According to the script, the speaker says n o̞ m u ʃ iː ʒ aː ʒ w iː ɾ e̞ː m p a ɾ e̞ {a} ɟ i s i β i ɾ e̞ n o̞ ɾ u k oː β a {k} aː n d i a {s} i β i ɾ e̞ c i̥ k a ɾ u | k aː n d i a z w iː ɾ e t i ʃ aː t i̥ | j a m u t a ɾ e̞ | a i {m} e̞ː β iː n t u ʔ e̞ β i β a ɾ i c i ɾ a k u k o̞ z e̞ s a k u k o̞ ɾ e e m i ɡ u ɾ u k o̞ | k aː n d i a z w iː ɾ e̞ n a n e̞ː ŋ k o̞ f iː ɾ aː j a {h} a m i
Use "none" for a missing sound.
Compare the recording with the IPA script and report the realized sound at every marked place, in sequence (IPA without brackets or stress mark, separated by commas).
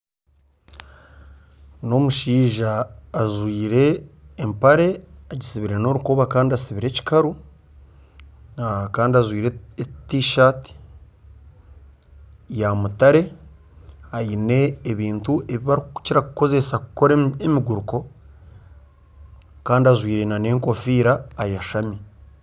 a, k, s, n, ʃ